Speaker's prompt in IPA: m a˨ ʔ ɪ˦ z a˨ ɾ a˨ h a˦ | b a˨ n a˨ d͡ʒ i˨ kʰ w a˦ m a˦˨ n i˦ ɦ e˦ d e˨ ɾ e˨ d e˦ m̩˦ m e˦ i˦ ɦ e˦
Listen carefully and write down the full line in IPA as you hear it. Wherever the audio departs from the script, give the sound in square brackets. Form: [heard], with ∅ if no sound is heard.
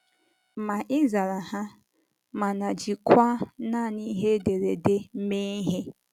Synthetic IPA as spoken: m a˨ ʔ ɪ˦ z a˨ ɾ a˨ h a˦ | [m] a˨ n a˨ d͡ʒ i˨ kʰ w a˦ [n] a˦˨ n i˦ ɦ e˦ d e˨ ɾ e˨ d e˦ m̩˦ m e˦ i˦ ɦ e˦